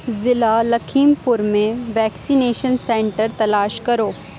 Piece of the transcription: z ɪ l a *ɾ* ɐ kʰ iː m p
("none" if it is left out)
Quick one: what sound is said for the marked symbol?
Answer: l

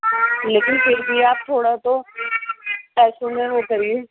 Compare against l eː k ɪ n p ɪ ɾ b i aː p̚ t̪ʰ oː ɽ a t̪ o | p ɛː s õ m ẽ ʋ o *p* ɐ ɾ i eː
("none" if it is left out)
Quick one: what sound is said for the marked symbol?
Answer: k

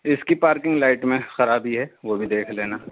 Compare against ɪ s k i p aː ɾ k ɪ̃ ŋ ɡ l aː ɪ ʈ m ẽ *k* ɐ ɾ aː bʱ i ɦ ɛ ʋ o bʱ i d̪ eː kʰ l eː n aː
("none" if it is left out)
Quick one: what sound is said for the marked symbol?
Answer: x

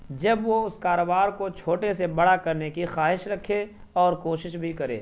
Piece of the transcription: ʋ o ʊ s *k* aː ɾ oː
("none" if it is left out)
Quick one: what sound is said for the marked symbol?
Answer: k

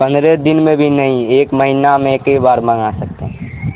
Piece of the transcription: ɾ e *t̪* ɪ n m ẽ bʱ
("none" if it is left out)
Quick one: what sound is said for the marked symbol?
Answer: d̪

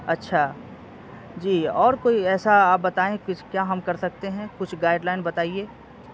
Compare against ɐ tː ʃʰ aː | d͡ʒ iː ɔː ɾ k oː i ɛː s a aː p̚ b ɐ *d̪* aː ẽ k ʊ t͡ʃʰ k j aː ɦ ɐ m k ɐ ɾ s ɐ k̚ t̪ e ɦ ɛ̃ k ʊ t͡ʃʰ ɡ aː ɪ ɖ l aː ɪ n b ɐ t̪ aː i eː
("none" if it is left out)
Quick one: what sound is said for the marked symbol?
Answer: t̪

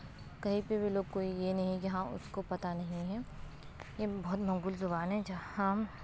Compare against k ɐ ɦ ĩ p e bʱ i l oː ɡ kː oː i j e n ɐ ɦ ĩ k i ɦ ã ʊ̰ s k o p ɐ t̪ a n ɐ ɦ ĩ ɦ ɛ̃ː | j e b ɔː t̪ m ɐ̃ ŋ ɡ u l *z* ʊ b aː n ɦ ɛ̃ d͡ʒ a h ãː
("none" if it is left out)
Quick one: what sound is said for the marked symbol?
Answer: z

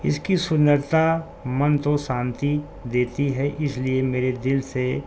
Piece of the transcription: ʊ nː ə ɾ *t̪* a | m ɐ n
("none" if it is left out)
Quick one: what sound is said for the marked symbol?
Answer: t̪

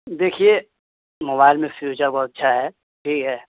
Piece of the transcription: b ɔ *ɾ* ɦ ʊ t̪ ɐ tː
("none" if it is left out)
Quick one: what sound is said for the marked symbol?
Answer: none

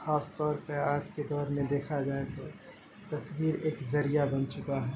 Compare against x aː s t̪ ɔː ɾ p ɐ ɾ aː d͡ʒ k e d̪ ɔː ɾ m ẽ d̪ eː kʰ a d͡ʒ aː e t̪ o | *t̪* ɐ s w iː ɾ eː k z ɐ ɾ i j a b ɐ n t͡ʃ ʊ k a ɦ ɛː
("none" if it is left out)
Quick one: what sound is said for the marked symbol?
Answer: t̪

